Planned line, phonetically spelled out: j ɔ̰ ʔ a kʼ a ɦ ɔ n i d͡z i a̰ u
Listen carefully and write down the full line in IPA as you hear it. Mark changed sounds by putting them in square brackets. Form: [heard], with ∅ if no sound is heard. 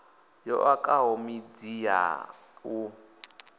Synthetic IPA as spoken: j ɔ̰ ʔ a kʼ a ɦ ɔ [m] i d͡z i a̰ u